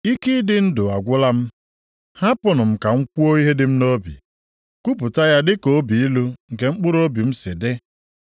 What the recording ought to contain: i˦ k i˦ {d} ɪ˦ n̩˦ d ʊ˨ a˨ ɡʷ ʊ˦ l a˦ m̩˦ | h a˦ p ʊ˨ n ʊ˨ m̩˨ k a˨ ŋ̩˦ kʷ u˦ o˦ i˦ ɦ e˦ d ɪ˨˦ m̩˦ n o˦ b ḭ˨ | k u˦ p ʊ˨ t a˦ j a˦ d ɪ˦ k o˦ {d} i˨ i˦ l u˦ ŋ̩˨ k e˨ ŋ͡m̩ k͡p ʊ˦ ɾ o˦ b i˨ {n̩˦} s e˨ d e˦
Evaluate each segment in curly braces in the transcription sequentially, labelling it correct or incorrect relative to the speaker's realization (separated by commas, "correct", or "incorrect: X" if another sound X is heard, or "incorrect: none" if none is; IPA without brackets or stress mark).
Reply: correct, incorrect: b, incorrect: m̩˦